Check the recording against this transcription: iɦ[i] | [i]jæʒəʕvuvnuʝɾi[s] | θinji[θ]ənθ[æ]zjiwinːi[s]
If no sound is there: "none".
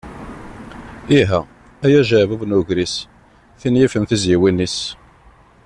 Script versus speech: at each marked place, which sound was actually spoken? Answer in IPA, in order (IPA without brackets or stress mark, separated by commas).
æ, æ, s, f, i, s